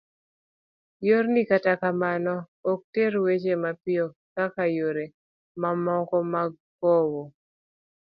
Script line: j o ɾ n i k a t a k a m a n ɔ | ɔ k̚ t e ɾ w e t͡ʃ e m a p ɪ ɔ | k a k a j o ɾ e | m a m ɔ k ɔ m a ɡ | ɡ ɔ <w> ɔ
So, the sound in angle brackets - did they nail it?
yes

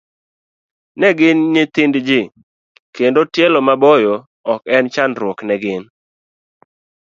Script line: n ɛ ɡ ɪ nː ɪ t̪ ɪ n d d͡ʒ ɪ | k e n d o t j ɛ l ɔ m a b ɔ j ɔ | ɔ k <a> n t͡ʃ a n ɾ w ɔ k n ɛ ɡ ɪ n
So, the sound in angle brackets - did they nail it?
no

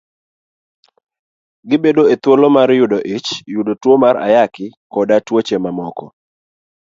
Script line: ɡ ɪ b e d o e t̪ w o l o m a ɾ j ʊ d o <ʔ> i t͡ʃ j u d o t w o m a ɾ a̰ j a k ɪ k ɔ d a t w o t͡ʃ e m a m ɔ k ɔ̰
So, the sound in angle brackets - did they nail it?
yes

